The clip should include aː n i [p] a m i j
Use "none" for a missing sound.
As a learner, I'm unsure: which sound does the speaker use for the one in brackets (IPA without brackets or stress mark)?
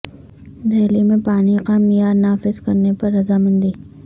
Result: q